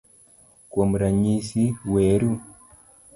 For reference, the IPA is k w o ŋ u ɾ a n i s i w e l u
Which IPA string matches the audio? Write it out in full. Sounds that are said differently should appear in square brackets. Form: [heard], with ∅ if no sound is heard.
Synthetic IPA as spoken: k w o [m] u ɾ a [ɲ] i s i w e [ɾ] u